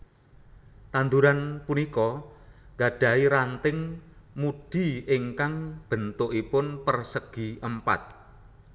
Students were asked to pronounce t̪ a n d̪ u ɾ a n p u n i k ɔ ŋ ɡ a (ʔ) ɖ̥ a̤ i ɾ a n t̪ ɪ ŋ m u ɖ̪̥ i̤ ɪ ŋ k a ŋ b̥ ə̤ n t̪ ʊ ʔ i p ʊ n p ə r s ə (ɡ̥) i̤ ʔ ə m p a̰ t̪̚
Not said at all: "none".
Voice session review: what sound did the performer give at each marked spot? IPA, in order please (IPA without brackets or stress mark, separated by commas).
none, ɡ̥